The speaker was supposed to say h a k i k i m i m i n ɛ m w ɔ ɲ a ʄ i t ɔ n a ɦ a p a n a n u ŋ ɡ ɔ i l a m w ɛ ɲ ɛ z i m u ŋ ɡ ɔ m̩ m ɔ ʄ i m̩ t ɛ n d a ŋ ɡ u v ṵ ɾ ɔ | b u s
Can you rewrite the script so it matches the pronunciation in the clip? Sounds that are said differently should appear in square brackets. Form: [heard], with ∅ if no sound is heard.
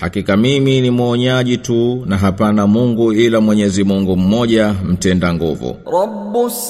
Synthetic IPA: h a k i k [a] m i m i n [i] m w ɔ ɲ a ʄ i t [u] n a ɦ a p a n a [m] u ŋ ɡ [u] i l a m w ɛ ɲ ɛ z i m u ŋ ɡ [u] m̩ m ɔ ʄ [a] m̩ t ɛ n d a ŋ ɡ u v ṵ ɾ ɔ | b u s